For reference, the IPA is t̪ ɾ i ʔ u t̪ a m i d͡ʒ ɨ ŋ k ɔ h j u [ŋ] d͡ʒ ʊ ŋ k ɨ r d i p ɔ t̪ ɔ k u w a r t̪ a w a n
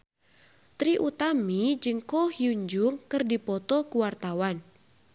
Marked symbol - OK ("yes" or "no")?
no